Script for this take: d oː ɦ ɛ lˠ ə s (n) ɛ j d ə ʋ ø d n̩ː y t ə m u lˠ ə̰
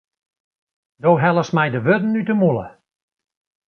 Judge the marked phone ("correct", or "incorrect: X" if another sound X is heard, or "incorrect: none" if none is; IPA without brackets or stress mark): incorrect: m